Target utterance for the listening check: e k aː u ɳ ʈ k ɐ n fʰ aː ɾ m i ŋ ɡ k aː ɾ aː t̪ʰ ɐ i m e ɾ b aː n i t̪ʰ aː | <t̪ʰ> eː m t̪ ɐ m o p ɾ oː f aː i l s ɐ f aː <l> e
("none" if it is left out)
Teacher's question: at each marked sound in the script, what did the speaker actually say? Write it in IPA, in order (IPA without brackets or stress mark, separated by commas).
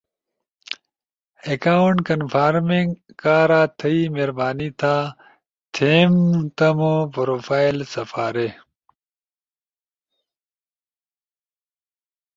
t̪ʰ, ɾ